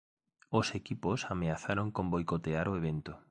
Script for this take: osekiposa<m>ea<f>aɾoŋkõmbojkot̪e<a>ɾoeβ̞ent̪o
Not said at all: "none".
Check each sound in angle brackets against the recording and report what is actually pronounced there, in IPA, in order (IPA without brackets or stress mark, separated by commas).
m, θ, a